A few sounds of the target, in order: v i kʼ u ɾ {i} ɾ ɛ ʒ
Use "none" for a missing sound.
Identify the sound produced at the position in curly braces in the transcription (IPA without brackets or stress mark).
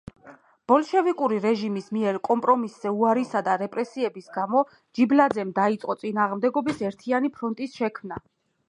i